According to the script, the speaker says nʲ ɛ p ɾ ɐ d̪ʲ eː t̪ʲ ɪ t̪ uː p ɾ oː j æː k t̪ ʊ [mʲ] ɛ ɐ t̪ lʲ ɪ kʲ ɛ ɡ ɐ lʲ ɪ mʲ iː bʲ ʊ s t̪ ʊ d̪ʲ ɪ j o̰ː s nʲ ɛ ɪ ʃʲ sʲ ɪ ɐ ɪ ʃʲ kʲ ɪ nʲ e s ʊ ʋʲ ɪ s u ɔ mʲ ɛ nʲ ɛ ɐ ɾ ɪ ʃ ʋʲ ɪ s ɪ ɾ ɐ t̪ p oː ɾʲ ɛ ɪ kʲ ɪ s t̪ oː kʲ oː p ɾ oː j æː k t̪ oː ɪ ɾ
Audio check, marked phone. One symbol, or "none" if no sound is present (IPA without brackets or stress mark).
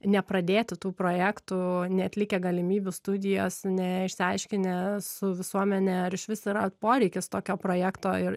nʲ